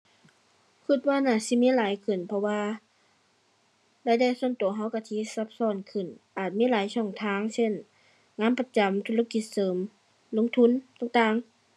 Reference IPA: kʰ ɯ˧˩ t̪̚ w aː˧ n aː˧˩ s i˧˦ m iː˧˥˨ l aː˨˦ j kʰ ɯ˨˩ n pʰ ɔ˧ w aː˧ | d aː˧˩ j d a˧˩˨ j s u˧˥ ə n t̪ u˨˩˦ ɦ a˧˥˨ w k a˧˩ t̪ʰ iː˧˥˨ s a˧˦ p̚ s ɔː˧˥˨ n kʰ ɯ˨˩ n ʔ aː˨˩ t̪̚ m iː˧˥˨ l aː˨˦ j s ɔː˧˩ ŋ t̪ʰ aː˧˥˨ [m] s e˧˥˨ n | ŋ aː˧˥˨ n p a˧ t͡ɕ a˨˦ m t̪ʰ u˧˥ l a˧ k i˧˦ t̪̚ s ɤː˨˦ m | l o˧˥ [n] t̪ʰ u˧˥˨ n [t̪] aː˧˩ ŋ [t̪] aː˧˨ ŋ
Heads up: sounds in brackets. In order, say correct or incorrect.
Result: incorrect, incorrect, correct, correct

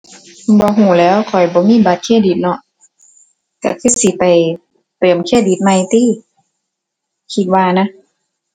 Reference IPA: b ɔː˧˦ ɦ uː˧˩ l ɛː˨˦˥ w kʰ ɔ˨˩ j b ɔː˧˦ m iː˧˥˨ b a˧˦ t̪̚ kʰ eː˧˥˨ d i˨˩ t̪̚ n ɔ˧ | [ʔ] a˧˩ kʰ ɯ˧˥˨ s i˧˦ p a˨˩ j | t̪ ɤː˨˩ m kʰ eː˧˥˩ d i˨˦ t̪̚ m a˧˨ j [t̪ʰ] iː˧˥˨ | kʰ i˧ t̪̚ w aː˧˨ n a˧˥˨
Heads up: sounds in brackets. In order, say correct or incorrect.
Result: incorrect, incorrect

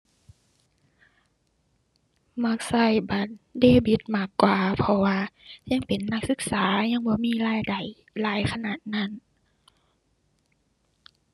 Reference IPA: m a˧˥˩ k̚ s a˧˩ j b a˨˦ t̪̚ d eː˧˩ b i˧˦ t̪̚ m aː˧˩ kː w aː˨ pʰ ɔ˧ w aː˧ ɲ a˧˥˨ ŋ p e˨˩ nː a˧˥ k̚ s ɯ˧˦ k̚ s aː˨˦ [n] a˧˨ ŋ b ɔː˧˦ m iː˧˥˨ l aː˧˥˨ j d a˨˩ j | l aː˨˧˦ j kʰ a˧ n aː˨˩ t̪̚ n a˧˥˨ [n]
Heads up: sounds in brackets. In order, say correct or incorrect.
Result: incorrect, correct

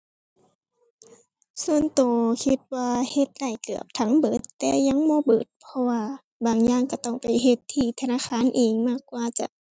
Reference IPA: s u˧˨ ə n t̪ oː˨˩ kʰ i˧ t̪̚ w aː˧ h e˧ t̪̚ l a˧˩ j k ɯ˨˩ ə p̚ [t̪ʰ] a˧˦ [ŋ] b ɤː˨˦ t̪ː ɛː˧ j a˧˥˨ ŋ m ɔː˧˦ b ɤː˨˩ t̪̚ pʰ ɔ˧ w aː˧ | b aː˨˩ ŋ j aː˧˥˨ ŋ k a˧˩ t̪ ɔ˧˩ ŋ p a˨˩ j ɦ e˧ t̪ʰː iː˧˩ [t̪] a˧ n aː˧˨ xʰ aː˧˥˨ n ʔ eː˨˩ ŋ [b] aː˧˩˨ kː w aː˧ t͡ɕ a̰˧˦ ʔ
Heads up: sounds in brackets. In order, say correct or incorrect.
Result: correct, correct, incorrect, incorrect

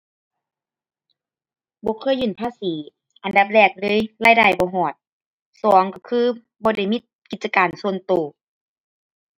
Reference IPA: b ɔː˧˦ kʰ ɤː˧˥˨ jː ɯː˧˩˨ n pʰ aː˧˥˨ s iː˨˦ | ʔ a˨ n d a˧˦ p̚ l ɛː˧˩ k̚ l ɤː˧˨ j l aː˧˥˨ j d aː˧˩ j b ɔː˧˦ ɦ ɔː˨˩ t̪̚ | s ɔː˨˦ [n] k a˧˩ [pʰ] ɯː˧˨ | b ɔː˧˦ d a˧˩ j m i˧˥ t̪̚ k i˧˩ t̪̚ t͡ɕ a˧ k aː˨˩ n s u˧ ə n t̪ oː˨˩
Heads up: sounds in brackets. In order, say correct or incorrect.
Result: incorrect, incorrect

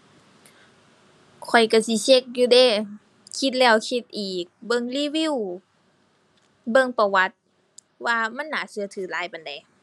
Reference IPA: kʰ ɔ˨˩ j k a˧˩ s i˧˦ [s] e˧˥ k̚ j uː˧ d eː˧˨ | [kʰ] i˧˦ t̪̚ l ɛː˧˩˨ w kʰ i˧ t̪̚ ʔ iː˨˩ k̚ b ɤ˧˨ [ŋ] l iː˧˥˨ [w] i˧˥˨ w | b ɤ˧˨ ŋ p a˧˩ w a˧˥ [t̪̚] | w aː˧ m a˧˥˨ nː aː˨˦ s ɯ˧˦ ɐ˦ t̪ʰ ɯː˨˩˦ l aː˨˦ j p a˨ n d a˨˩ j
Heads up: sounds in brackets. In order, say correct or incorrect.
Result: correct, correct, correct, correct, correct

